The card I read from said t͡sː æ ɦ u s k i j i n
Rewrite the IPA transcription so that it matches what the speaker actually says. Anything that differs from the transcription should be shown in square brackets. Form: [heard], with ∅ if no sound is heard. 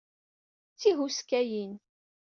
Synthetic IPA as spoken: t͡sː [i] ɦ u s k [æ] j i n